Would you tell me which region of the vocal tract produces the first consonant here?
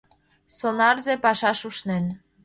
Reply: tongue tip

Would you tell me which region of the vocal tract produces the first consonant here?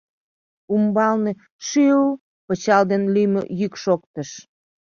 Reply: lips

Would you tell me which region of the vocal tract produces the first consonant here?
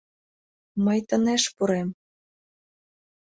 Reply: lips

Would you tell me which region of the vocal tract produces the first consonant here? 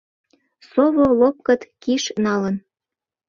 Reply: tongue tip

